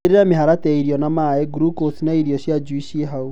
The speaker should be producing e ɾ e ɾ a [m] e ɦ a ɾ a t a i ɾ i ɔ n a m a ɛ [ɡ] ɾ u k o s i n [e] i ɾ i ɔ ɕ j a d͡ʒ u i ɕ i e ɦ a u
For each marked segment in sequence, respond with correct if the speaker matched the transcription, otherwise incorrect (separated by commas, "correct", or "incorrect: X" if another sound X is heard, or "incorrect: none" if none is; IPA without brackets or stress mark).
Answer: correct, correct, incorrect: a